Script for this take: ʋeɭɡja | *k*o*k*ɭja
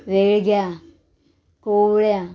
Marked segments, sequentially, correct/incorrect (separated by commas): correct, incorrect